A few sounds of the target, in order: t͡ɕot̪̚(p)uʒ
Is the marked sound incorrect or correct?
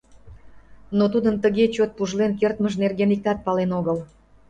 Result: correct